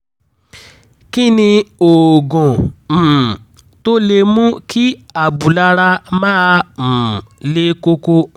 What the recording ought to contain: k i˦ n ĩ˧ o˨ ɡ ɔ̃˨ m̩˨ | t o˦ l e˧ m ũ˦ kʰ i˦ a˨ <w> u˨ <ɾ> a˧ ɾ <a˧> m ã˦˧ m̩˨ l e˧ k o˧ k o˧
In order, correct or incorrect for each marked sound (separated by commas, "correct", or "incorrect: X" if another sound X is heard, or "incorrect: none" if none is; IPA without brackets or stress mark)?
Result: incorrect: b, incorrect: l, correct